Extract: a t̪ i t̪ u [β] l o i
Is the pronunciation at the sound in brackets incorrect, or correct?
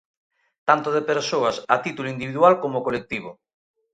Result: incorrect